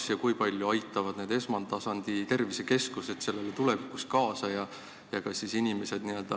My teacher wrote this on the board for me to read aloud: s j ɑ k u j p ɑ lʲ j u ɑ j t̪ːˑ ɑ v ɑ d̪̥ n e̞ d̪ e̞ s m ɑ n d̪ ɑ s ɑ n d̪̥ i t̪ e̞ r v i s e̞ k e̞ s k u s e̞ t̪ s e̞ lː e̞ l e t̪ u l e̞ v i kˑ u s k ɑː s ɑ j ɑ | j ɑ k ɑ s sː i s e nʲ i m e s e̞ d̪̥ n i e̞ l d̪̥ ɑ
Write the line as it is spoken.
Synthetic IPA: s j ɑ k u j p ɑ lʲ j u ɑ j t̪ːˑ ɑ v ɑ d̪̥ n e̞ d̪ e̞ s m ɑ n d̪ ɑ s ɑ n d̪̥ i t̪ e̞ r v i s e̞ k e̞ s k u s e̞ t̪ s e̞ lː e̞ l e t̪ u l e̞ v i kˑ u s k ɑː s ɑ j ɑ | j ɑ k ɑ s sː i s i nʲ i m e s e̞ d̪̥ n i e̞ l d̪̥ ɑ